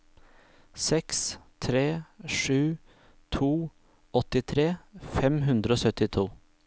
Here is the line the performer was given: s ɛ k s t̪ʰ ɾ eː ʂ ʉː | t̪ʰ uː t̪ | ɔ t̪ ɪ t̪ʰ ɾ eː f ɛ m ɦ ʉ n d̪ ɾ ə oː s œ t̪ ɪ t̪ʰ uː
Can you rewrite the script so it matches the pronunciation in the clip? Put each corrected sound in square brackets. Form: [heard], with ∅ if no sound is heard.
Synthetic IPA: s ɛ k s t̪ʰ ɾ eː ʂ ʉː | t̪ʰ uː [∅] | ɔ t̪ ɪ t̪ʰ ɾ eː f ɛ m ɦ ʉ n d̪ ɾ ə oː s œ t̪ ɪ t̪ʰ uː